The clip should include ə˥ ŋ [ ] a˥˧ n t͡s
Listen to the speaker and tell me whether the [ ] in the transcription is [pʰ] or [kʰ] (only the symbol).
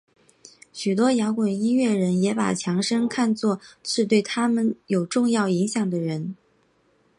kʰ